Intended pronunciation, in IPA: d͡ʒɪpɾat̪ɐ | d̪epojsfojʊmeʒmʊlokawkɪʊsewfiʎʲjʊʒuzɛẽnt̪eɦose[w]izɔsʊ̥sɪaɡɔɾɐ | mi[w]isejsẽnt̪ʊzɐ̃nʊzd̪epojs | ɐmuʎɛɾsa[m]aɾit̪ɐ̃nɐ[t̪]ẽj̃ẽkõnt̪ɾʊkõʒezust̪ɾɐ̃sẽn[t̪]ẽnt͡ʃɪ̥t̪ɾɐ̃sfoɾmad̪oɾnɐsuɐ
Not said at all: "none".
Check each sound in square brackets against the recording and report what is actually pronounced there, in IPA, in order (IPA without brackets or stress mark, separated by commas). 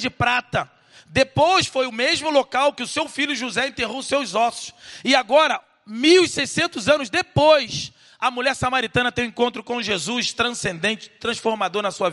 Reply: w, w, m, t̪, d̪